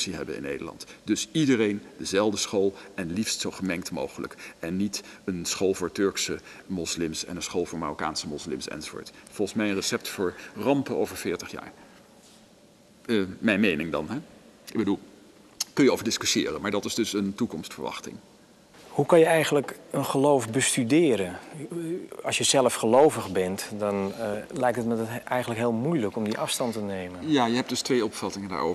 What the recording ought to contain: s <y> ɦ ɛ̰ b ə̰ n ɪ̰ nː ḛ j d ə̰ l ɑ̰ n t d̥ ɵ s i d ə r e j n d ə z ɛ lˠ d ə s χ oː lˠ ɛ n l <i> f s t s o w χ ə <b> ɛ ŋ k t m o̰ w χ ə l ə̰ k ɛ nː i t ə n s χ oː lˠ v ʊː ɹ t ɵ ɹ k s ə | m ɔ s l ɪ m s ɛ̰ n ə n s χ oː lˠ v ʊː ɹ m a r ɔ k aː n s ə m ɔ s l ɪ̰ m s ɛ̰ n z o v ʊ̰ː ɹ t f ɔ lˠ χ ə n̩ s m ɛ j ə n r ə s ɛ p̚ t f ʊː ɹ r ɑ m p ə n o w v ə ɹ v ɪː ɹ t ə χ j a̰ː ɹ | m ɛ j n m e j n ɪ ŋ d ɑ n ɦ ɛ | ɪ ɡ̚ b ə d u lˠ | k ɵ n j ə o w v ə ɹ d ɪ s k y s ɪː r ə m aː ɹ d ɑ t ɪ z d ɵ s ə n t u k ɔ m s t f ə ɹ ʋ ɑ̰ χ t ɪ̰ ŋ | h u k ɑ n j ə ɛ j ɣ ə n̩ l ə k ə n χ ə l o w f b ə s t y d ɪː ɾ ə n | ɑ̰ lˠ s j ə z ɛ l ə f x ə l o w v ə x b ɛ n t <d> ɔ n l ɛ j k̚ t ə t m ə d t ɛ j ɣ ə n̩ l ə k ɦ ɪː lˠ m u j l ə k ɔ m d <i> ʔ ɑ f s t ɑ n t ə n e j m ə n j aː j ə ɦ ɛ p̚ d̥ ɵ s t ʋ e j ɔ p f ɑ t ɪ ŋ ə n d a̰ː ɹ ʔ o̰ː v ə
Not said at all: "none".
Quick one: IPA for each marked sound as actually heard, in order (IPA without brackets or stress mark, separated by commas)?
i, i, m, d, i